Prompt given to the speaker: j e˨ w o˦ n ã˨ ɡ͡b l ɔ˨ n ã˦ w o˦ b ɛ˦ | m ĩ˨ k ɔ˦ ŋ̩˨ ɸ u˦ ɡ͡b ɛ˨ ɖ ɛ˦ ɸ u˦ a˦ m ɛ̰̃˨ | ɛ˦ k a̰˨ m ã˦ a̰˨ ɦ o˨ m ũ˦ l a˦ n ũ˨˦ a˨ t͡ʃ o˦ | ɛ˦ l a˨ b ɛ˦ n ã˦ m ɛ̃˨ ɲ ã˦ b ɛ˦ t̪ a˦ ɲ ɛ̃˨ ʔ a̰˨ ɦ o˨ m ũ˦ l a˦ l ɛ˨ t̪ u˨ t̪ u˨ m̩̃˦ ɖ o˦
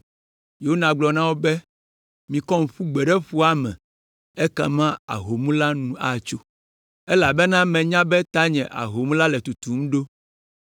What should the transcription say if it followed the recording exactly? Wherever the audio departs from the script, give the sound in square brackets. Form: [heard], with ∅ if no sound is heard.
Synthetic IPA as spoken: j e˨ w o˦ n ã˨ ɡ͡b l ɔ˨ n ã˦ w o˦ b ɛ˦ | m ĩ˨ k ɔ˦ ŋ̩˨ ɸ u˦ ɡ͡b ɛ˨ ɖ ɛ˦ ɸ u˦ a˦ m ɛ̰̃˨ | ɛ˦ k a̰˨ m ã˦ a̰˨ ɦ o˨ m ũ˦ l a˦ n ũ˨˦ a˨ t͡ʃ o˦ | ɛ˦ l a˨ b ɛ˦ n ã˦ m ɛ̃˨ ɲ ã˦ b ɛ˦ t̪ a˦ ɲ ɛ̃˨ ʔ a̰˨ ɦ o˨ m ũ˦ l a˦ l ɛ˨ t̪ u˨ t̪ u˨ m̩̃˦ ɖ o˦